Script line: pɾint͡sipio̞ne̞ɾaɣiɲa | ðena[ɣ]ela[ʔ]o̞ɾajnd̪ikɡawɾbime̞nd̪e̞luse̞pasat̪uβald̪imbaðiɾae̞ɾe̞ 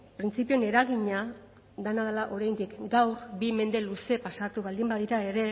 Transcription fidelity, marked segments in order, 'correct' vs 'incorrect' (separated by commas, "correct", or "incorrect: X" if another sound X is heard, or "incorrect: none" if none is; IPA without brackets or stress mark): incorrect: ð, correct